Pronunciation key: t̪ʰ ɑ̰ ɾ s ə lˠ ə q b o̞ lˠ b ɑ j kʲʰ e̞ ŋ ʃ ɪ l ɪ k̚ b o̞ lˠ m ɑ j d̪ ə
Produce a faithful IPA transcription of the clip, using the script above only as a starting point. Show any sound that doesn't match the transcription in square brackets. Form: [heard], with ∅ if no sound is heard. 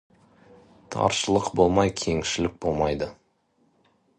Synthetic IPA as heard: t̪ʰ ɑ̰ ɾ [ʃ] ə lˠ ə q b o̞ lˠ [m] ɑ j kʲʰ e̞ ŋ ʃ ɪ l ɪ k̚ b o̞ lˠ m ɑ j d̪ ə